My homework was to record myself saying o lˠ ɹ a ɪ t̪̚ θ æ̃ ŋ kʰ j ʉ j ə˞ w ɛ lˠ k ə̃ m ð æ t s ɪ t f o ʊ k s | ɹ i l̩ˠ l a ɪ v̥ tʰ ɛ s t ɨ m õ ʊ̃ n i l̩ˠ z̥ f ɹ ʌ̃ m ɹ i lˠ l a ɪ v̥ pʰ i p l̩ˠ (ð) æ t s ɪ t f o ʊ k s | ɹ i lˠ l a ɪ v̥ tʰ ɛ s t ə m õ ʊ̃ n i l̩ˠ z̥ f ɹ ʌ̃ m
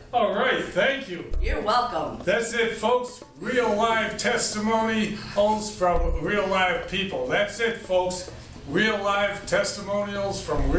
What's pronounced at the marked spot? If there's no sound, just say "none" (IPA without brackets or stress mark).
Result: ð